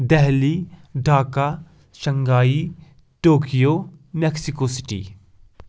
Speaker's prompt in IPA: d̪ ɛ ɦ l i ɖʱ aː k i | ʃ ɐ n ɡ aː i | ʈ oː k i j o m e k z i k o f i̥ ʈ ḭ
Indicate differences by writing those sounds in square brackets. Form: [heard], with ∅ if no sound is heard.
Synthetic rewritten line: d̪ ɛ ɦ l i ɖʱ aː k [a] | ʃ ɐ [ŋ] ɡ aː i | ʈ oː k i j o m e k [s] i k o [s] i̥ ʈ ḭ